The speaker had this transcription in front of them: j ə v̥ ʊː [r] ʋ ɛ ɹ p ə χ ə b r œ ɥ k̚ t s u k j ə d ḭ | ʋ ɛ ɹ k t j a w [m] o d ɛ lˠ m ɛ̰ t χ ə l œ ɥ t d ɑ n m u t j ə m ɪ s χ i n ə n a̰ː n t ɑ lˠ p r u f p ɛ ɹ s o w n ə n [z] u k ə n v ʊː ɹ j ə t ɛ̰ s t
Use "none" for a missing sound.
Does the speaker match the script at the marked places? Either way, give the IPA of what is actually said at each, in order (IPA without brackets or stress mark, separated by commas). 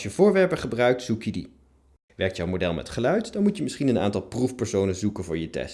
ɹ, m, z